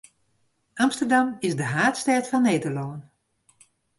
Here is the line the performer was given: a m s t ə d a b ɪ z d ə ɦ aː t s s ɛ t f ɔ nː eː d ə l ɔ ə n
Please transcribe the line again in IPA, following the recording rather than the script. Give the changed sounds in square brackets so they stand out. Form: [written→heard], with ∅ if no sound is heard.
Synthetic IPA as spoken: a m s t ə d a [b→m] ɪ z d ə ɦ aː t s [s→t] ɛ t f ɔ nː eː d ə l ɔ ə n